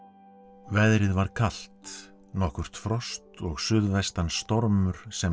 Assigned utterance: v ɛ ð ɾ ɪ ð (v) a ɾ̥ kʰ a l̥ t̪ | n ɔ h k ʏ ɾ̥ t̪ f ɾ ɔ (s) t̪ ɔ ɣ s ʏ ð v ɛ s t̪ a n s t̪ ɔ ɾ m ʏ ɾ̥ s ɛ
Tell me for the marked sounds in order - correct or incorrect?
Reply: correct, correct

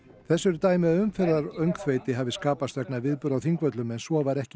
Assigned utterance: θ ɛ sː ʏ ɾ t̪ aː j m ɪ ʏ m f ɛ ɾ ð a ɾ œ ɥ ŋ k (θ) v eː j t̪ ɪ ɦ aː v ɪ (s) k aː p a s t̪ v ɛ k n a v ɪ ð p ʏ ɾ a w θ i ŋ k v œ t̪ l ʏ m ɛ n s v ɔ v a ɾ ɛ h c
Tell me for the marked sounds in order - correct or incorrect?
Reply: correct, correct

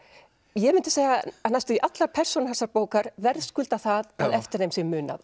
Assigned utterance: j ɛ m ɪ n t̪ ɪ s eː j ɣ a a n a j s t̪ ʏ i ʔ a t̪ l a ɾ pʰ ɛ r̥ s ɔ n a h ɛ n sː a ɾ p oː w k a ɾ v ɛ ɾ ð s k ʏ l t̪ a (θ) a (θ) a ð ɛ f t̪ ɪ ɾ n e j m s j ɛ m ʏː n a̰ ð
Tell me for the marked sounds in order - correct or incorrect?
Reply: correct, incorrect

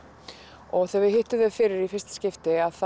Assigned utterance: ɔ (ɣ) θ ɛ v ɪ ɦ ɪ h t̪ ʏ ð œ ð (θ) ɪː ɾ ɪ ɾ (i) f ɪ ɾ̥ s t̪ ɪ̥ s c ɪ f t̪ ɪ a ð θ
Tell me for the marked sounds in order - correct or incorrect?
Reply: correct, incorrect, correct

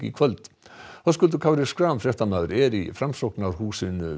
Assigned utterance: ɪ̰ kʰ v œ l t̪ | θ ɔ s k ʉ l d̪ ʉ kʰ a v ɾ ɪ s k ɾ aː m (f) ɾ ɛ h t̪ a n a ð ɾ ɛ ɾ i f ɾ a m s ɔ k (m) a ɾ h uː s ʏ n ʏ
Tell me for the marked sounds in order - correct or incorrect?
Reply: correct, incorrect

